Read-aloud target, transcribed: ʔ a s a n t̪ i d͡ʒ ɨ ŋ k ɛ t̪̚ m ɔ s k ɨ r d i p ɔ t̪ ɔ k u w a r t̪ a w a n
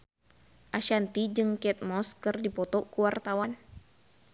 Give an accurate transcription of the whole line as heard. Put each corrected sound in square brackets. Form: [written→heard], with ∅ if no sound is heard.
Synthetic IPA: ʔ a [s→ʃ] a n t̪ i d͡ʒ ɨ ŋ k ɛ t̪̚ m ɔ s k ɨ r d i p ɔ t̪ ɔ k u w a r t̪ a w a n